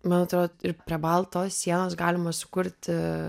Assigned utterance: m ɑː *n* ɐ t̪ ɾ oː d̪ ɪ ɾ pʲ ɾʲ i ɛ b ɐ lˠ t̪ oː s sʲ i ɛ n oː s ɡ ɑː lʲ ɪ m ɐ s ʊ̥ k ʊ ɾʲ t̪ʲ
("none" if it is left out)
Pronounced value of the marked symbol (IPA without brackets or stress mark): n